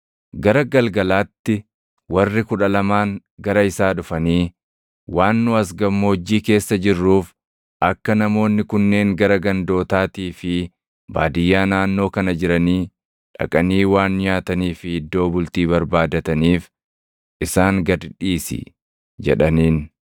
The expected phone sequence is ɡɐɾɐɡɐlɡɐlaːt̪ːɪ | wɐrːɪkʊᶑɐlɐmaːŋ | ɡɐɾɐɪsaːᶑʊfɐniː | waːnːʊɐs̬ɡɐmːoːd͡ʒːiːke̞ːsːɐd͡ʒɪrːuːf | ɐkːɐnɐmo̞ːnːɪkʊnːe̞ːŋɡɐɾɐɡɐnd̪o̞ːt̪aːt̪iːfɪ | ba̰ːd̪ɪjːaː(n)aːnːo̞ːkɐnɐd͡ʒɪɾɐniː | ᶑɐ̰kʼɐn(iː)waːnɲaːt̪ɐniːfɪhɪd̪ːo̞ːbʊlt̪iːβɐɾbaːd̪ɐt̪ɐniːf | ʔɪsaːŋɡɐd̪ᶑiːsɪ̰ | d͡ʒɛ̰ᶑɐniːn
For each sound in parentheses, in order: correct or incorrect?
correct, correct

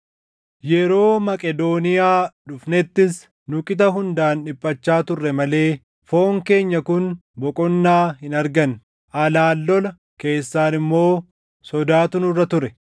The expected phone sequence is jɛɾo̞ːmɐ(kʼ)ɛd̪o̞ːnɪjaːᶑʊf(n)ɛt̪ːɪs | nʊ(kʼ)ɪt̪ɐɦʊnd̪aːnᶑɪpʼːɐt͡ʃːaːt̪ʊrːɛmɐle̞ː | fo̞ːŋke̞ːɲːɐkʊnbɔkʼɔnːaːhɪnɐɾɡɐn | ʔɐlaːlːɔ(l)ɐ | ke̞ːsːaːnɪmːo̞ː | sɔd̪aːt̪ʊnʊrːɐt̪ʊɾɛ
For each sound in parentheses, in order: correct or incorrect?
correct, correct, correct, correct

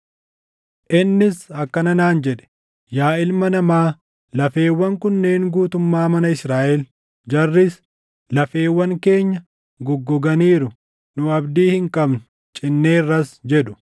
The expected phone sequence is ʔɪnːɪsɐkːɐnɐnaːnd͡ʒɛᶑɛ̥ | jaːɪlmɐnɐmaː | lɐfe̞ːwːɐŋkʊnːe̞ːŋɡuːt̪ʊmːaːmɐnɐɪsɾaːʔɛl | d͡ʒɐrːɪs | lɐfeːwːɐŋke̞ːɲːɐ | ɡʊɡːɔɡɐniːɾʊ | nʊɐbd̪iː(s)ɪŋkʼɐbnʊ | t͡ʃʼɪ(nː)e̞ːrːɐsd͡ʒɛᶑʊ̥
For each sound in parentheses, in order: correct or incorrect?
incorrect, correct

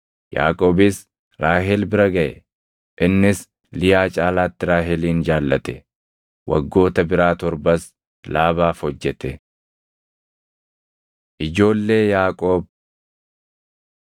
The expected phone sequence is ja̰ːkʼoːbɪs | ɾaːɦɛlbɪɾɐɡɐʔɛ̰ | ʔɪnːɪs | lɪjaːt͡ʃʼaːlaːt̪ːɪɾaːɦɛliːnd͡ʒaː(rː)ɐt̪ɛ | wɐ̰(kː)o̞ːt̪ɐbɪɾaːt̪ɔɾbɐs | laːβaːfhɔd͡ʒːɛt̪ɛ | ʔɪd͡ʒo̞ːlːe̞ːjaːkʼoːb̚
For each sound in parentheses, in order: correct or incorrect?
incorrect, incorrect

